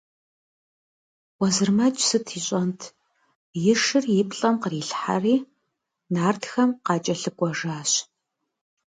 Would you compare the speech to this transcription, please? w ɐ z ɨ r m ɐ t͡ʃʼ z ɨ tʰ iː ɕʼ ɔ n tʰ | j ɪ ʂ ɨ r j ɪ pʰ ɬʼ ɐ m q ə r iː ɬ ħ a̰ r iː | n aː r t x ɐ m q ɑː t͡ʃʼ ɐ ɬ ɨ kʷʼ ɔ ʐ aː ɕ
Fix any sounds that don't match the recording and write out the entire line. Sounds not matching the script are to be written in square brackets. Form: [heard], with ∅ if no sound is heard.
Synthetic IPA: w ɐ z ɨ r m ɐ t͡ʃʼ [s] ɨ tʰ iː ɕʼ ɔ n tʰ | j ɪ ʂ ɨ r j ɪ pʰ ɬʼ ɐ m q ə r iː ɬ ħ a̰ r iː | n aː r t x ɐ m q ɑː t͡ʃʼ ɐ ɬ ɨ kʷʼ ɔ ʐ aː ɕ

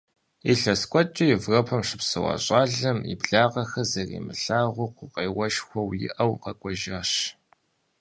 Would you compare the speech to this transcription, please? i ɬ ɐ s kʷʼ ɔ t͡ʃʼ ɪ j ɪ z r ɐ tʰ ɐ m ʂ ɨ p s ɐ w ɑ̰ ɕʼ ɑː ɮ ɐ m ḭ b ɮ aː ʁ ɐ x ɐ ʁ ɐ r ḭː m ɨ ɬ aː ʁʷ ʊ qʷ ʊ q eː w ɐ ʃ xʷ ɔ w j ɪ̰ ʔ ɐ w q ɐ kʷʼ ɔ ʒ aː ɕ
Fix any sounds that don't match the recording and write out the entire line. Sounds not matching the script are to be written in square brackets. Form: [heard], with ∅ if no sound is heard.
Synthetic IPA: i ɬ ɐ s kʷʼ ɔ t͡ʃʼ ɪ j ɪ [v] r ɐ [pʰ] ɐ m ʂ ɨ p s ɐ w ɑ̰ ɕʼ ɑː ɮ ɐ m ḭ b ɮ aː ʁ ɐ x ɐ [z] ɐ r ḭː m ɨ ɬ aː ʁʷ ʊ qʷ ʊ q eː w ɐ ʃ xʷ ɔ w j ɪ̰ ʔ ɐ w q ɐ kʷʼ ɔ ʒ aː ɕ

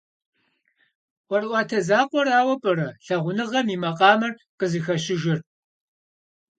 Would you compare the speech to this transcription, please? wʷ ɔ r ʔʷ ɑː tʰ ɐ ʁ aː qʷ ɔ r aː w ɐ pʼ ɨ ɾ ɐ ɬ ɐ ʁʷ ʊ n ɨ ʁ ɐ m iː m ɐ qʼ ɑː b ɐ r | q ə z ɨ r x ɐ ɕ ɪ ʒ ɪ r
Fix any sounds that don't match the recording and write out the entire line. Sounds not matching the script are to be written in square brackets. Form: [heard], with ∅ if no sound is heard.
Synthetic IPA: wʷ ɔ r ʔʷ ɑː tʰ ɐ [z] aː qʷ ɔ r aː w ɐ pʼ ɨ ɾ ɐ ɬ ɐ ʁʷ ʊ n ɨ ʁ ɐ m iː m ɐ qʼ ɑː [m] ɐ r | q ə z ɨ [∅] x ɐ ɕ ɪ ʒ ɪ r

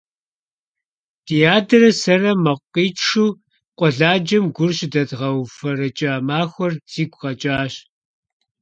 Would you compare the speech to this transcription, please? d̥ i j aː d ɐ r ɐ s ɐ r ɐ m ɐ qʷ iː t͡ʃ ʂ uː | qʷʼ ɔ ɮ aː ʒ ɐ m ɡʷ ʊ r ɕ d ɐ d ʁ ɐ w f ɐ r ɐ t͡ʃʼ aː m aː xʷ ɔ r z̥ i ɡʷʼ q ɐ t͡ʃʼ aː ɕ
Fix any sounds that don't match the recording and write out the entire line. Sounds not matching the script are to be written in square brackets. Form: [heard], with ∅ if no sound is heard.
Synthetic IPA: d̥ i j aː d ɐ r ɐ s ɐ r ɐ m ɐ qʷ iː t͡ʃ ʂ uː | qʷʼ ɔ ɮ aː [d͡ʒ] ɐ m ɡʷ ʊ r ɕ d ɐ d ʁ ɐ w f ɐ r ɐ t͡ʃʼ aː m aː xʷ ɔ r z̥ [iː] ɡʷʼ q ɐ t͡ʃʼ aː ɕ

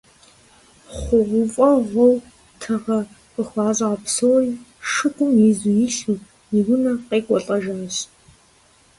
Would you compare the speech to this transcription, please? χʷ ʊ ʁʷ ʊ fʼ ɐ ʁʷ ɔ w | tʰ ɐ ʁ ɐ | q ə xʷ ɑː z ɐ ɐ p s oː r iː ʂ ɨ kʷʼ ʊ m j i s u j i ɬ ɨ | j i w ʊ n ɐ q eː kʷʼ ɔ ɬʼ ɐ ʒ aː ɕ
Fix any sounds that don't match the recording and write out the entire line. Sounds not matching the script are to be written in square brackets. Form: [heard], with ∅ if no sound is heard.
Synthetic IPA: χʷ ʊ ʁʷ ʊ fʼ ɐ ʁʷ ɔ w | tʰ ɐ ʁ ɐ | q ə xʷ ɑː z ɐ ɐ p s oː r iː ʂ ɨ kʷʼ ʊ m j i [z] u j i ɬ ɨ | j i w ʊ n ɐ q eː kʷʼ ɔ ɬʼ ɐ ʒ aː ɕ

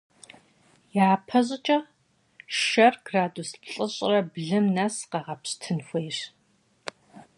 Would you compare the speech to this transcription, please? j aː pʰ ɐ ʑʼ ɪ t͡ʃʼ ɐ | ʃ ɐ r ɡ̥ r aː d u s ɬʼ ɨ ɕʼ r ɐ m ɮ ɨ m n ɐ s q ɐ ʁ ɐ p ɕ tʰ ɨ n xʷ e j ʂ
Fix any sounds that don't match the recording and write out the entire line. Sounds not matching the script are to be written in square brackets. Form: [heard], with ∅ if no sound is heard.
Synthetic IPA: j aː pʰ ɐ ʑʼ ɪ t͡ʃʼ ɐ | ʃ ɐ r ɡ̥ r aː d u s ɬʼ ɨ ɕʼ r ɐ [b] ɮ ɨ m n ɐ s q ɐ ʁ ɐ p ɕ tʰ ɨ n xʷ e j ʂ

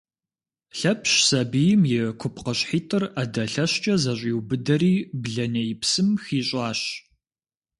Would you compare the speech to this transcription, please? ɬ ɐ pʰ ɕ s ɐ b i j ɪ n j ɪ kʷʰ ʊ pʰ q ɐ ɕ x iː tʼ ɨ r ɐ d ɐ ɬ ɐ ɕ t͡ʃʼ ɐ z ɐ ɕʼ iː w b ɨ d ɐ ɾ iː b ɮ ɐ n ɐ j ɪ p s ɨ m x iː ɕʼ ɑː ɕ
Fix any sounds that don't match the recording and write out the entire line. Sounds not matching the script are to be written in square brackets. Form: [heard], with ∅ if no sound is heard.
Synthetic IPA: ɬ ɐ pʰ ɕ s ɐ b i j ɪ [m] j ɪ kʷʰ ʊ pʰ q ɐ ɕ [ħ] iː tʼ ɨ r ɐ d ɐ ɬ ɐ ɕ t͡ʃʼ ɐ z ɐ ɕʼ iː w b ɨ d ɐ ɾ iː b ɮ ɐ n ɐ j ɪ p s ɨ m x iː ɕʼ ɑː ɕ

